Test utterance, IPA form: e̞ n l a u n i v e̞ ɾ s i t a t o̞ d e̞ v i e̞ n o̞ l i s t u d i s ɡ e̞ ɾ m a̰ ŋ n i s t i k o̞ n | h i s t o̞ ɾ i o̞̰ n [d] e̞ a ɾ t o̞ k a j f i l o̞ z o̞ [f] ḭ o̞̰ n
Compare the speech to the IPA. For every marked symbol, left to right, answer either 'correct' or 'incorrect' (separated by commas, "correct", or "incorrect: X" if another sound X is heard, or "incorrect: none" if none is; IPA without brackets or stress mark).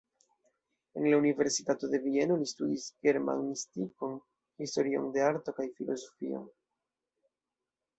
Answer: correct, correct